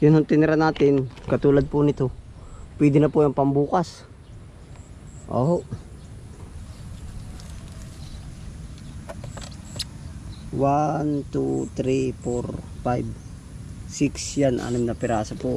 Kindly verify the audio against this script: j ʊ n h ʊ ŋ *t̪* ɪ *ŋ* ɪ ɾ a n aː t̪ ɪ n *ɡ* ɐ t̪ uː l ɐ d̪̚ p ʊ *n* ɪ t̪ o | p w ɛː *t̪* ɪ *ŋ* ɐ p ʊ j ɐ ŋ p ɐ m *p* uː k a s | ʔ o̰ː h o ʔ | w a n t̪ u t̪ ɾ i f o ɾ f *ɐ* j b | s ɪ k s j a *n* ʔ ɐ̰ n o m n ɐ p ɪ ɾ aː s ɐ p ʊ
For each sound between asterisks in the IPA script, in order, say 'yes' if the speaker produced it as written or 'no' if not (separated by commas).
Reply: yes, no, no, yes, no, no, no, no, yes